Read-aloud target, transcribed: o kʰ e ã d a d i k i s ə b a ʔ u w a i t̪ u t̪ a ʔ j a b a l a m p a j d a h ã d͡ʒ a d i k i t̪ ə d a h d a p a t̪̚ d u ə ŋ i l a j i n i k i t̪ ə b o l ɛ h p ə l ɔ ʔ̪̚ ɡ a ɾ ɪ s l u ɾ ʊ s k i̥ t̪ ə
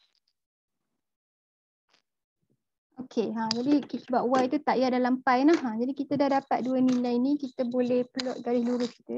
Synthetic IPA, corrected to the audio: o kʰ e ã d͡ʒ a d i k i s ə b a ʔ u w a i t̪ u t̪ a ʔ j a d a l a m p a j n a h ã d͡ʒ a d i k i t̪ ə d a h d a p a t̪̚ d u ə n i l a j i n i k i t̪ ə b o l ɛ h p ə l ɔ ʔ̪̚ ɡ a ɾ ɪ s l u ɾ ʊ s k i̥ t̪ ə